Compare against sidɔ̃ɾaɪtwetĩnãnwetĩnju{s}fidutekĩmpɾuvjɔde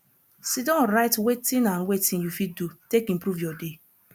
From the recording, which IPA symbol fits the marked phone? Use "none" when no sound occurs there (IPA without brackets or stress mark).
none